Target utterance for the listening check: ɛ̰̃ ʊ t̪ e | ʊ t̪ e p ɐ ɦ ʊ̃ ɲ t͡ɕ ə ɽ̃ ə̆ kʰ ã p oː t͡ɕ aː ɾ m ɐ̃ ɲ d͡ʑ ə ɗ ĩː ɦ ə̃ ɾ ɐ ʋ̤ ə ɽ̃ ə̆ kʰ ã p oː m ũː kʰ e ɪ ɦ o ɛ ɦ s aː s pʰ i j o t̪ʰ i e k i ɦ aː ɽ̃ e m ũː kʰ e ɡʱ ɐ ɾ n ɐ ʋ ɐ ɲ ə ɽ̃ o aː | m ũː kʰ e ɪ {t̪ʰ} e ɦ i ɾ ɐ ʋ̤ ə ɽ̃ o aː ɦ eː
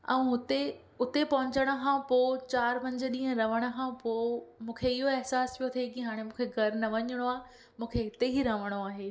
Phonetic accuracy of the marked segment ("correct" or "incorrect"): incorrect